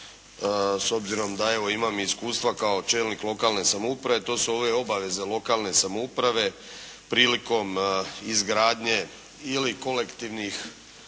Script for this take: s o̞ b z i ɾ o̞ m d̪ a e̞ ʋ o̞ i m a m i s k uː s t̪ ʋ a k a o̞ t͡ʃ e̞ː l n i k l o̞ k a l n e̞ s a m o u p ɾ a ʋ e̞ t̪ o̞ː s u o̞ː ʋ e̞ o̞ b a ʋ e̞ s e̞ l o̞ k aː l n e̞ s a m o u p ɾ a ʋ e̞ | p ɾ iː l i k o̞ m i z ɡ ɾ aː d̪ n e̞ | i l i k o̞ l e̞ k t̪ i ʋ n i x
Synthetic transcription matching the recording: s o̞ b z i ɾ o̞ m d̪ a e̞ ʋ o̞ i m a m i s k uː s t̪ ʋ a k a o̞ t͡ʃ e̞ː l n i k l o̞ k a l n e̞ s a m o u p ɾ a ʋ e̞ t̪ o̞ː s u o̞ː ʋ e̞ o̞ b a ʋ e̞ z e̞ l o̞ k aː l n e̞ s a m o u p ɾ a ʋ e̞ | p ɾ iː l i k o̞ m i z ɡ ɾ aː d̪ ɲ e̞ | i l i k o̞ l e̞ k t̪ i ʋ n i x